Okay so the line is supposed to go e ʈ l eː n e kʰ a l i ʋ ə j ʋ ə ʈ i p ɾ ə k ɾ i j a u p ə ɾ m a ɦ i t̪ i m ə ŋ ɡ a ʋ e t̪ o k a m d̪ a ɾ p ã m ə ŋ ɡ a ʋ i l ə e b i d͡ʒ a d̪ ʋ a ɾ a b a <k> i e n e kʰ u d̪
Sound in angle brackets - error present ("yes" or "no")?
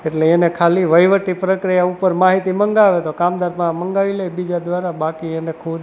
no